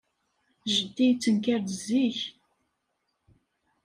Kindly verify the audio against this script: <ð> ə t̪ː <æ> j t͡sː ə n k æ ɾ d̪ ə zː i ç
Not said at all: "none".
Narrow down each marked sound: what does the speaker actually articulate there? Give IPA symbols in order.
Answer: ʒ, i

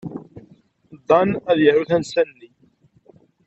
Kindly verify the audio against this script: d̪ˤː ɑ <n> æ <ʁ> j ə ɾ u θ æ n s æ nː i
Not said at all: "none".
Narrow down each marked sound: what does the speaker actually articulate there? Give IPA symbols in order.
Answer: n, ð

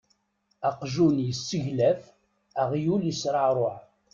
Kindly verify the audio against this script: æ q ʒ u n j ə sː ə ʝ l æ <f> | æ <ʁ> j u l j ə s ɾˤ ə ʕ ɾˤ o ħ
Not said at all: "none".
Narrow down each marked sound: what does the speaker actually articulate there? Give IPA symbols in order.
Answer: f, ʁ

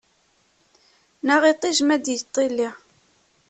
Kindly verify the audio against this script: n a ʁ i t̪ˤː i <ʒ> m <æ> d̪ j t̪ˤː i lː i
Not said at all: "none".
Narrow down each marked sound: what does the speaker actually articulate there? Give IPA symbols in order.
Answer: ʒ, æ

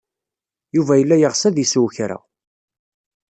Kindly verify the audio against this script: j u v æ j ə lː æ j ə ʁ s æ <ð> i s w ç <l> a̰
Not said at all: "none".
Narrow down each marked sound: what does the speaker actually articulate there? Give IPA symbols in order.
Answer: ð, ɾ

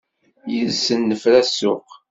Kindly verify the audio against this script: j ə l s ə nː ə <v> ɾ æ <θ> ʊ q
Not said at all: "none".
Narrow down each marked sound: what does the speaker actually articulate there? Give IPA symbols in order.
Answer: f, s

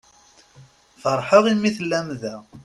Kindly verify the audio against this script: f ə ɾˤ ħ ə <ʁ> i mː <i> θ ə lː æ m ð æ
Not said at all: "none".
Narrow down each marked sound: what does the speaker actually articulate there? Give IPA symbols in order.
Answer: ʁ, i

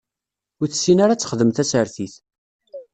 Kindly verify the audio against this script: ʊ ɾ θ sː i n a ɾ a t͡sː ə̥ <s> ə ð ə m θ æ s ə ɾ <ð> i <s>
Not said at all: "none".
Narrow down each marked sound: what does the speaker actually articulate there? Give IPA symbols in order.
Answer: χ, θ, θ

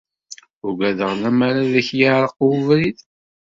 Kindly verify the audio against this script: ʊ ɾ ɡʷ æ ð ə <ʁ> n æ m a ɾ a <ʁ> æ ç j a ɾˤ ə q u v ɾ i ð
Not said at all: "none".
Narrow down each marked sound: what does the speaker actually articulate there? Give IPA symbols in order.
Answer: ʁ, ð

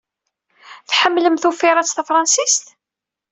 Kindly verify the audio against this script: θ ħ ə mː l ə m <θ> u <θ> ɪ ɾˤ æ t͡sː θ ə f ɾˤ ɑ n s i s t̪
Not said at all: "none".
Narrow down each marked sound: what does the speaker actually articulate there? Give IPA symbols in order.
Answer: θ, f

